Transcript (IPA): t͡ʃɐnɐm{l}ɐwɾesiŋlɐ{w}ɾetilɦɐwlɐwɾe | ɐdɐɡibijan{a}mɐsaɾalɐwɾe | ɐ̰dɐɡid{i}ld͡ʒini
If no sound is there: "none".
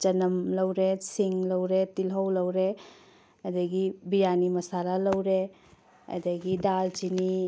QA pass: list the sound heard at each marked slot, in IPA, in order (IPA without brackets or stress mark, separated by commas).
l, w, i, a